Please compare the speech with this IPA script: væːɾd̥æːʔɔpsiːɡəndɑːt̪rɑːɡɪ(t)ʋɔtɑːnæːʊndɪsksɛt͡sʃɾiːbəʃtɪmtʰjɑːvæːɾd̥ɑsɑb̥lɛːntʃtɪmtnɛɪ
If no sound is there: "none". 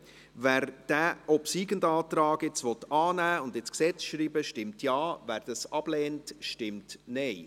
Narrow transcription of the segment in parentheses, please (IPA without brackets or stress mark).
t͡s